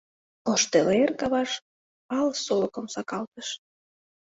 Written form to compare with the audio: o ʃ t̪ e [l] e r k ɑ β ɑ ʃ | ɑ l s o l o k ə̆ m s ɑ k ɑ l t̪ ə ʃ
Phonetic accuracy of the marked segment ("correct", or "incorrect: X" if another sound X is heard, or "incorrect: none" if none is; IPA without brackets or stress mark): correct